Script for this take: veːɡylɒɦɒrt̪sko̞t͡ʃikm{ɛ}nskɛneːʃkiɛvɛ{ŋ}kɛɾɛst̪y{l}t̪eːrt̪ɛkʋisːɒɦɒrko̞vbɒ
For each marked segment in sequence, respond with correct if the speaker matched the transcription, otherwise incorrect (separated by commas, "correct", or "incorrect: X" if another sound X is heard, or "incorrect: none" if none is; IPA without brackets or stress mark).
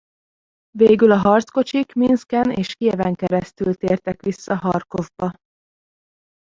incorrect: i, correct, correct